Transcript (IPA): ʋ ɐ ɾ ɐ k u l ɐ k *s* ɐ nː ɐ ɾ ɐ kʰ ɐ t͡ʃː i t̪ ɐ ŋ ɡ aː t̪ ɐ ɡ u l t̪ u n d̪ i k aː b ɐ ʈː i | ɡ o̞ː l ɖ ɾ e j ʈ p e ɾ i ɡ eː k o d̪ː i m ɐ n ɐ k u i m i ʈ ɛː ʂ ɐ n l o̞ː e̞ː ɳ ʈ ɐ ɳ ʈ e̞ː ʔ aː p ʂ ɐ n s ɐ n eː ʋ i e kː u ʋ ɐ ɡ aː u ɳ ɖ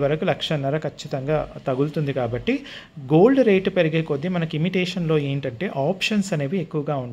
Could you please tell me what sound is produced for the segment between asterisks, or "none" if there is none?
ʂ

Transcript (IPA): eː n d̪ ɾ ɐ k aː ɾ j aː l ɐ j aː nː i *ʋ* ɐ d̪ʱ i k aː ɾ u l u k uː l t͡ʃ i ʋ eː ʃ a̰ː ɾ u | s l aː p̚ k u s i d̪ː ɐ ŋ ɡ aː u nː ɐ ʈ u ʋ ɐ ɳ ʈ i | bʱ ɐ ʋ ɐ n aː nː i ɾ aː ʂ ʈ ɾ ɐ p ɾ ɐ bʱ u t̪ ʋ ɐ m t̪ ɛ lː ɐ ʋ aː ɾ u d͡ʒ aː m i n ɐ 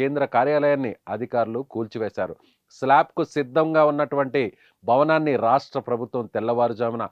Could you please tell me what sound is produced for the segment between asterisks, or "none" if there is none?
none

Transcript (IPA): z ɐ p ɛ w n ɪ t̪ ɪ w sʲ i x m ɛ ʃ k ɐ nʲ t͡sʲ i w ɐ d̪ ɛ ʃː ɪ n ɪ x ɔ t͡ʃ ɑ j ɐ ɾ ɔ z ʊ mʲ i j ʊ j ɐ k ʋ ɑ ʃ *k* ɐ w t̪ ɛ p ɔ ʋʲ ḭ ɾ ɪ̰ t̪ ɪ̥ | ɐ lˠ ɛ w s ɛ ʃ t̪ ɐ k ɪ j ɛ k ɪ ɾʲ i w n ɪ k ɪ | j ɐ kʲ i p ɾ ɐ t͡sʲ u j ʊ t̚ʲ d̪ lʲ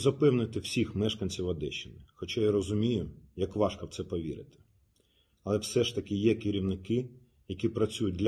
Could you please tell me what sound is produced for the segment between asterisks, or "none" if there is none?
k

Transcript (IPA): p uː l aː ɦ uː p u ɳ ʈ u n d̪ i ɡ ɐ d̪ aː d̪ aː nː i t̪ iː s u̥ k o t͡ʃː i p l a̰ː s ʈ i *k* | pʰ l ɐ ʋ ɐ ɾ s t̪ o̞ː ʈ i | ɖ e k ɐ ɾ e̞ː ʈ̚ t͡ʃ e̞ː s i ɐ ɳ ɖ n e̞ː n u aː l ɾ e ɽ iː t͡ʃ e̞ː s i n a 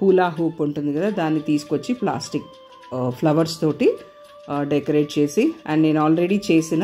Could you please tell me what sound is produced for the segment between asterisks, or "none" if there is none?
k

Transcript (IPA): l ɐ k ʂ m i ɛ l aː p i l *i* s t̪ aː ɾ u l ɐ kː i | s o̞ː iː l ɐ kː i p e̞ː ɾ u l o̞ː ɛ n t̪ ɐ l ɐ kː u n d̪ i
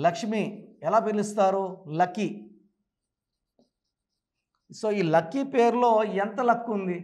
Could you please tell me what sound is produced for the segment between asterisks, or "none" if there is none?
i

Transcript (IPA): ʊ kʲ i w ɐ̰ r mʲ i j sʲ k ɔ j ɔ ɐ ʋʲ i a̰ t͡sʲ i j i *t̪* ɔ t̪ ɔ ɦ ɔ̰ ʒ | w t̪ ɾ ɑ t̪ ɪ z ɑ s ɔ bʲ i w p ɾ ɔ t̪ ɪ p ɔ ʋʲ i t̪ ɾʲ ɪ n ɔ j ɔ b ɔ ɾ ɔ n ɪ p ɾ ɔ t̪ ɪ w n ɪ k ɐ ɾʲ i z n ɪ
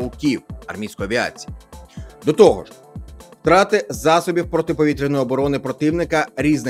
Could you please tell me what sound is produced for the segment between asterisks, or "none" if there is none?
d̪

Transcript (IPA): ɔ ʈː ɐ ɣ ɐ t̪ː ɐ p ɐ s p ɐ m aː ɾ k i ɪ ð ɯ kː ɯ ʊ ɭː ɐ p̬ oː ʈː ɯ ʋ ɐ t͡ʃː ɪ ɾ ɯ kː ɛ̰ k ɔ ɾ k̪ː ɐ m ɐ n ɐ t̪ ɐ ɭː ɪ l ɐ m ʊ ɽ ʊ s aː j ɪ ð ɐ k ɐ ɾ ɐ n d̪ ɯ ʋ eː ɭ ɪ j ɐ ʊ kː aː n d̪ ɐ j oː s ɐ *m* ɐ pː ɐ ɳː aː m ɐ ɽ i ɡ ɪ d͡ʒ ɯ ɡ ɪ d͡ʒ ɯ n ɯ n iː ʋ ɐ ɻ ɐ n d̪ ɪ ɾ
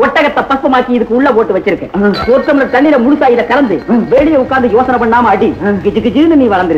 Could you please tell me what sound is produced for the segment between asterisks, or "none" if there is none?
n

